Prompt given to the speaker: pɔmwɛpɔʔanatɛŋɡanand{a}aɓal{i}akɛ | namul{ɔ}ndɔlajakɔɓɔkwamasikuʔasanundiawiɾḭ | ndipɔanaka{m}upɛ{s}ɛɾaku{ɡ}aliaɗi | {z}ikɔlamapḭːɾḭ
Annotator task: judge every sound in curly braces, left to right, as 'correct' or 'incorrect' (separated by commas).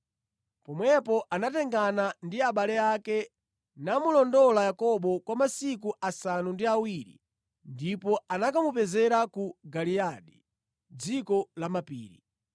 incorrect, incorrect, correct, correct, incorrect, correct, incorrect